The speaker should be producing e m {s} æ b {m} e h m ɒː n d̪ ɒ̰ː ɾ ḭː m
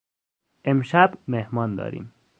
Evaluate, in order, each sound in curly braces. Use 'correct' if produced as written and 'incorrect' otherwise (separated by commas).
incorrect, correct